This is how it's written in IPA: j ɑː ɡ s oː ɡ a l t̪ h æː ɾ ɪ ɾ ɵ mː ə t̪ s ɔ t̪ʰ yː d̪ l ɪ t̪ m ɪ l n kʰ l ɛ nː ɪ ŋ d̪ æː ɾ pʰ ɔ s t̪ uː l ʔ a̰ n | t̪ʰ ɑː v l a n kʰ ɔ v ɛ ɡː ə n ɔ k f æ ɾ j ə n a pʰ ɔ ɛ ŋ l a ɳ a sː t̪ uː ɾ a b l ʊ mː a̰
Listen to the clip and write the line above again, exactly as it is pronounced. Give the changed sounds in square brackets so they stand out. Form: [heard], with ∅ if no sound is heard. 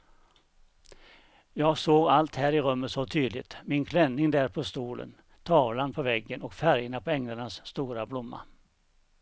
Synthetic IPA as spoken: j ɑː ɡ s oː ɡ a l t̪ h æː ɾ ɪ ɾ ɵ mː ə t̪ s ɔ t̪ʰ yː d̪ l ɪ t̪ m ɪ [∅] n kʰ l ɛ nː ɪ ŋ d̪ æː ɾ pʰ ɔ s t̪ uː l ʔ [ə̰] n | t̪ʰ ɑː v l a n [pʰ] ɔ v ɛ ɡː ə n ɔ k f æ ɾ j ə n a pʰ ɔ ɛ ŋ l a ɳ a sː t̪ uː ɾ a b l ʊ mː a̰